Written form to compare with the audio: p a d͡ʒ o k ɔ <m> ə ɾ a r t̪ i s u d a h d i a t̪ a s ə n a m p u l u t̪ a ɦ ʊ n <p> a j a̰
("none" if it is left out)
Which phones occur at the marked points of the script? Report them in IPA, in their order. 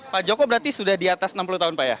b, p

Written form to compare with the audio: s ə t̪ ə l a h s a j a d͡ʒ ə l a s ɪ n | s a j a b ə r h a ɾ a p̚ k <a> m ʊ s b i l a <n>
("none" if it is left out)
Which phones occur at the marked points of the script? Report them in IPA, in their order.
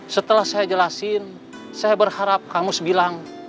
a, ŋ

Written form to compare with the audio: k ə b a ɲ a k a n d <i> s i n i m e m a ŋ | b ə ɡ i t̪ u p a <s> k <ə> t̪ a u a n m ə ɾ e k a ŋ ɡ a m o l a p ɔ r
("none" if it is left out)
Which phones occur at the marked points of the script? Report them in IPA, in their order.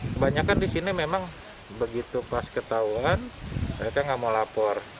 i, s, ə

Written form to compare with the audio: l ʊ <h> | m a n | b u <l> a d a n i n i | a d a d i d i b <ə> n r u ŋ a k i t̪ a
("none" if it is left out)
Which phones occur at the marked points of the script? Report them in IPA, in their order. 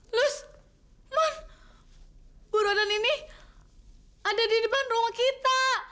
s, ɾ, a

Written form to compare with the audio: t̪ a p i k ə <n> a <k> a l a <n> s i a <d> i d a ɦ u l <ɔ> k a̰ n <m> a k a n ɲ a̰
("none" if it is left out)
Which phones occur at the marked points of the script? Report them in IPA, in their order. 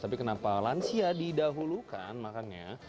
n, p, n, d, u, m

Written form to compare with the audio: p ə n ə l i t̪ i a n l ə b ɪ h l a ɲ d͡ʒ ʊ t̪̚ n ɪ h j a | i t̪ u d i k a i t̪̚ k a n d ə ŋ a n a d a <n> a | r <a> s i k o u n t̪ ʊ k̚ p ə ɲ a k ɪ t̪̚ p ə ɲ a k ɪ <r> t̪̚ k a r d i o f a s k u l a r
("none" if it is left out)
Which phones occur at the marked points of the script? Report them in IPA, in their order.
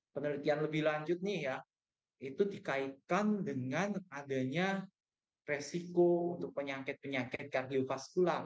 ɲ, e, none

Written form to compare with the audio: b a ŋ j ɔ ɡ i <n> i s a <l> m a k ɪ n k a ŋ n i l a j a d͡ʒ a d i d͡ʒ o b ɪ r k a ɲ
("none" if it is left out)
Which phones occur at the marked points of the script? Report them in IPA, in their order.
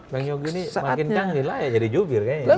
n, none

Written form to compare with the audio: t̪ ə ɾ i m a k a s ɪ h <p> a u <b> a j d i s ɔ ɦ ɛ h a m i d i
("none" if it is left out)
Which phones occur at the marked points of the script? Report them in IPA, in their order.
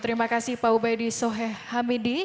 p, b

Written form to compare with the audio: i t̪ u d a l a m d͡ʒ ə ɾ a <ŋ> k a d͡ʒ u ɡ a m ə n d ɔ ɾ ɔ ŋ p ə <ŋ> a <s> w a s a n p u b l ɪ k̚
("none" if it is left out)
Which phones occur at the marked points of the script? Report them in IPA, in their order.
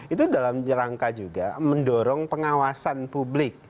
ŋ, ŋ, none

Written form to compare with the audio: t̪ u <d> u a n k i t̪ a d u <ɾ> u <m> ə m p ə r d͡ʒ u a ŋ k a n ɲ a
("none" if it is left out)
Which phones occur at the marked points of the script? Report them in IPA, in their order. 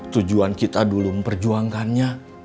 d͡ʒ, l, m

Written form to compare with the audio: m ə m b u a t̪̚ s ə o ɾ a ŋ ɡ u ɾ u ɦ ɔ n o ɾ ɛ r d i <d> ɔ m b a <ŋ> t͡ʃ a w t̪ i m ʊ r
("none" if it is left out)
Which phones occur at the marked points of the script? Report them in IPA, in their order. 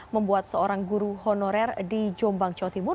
d͡ʒ, ŋ

